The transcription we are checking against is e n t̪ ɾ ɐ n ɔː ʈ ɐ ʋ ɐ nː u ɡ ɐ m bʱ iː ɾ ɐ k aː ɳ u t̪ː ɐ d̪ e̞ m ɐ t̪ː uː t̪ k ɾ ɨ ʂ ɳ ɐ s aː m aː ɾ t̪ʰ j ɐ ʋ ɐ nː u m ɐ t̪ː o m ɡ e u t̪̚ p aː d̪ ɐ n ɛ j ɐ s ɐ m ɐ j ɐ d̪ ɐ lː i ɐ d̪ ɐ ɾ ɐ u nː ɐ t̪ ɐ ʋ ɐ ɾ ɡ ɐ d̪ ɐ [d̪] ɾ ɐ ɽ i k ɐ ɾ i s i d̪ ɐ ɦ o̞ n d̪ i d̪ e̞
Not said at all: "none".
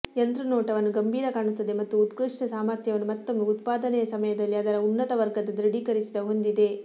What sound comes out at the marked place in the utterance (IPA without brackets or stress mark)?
d̪